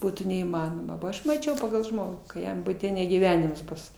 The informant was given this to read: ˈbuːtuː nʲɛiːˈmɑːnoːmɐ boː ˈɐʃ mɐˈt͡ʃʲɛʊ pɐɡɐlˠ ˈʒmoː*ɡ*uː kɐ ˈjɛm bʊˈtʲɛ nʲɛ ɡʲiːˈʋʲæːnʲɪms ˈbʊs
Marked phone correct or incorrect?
correct